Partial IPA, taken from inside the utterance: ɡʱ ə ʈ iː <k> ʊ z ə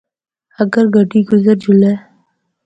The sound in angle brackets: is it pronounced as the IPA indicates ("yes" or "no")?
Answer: no